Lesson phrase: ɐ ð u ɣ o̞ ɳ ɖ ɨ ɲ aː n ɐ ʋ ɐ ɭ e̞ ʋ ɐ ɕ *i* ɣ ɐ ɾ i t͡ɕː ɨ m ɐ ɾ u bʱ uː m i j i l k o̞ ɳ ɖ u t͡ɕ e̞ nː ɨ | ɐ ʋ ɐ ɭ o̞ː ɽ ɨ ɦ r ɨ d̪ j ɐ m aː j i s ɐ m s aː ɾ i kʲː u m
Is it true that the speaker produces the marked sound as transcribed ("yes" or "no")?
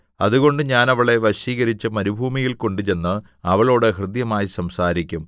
no